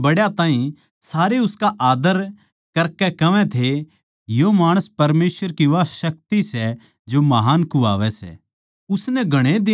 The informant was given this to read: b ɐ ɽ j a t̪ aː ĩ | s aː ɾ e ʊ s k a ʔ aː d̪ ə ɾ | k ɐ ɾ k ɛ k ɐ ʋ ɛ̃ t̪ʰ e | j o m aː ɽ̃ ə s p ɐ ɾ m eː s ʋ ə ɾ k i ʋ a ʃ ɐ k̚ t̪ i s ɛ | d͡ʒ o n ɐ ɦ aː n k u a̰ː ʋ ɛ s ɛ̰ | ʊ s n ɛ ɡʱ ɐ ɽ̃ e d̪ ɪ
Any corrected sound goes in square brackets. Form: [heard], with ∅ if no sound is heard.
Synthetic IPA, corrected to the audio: b ɐ ɽ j a t̪ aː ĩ | s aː ɾ e ʊ s k a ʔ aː d̪ ə ɾ | k ɐ ɾ k ɛ k ɐ ʋ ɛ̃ t̪ʰ e | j o m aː ɽ̃ ə s p ɐ ɾ m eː s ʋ ə ɾ k i ʋ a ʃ ɐ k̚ t̪ i s ɛ | d͡ʒ o [m] ɐ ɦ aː n k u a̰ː ʋ ɛ s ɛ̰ | ʊ s n ɛ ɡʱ ɐ ɽ̃ e d̪ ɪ